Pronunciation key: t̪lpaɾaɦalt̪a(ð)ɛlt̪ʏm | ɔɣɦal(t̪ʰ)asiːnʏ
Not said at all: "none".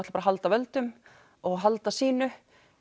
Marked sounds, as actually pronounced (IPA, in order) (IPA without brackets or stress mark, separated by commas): v, t̪